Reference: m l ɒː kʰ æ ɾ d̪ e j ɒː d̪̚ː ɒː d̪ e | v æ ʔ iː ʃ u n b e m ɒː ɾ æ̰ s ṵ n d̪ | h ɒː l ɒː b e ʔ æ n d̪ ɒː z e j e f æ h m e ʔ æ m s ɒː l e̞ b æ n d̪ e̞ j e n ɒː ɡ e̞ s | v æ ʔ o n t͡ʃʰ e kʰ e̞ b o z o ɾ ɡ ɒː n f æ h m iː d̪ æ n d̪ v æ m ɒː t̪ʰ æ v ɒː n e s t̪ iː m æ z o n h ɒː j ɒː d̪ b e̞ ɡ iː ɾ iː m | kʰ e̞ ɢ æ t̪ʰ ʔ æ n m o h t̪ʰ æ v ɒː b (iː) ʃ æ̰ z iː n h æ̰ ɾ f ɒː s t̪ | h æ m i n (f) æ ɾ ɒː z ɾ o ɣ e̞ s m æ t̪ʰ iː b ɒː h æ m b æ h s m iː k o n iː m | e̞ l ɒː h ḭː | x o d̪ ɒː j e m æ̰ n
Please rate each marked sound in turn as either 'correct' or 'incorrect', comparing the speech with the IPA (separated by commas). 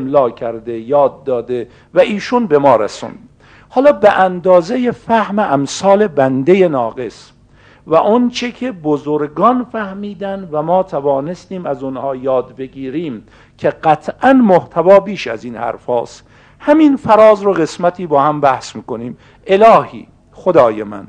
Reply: correct, correct